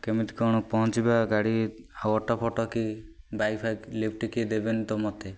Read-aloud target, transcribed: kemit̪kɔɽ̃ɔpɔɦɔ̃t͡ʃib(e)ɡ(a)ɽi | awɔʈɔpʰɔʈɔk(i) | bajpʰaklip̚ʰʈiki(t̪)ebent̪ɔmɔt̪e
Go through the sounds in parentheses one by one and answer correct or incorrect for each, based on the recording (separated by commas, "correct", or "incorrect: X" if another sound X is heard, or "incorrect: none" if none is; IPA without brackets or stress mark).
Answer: incorrect: a, correct, correct, incorrect: d̪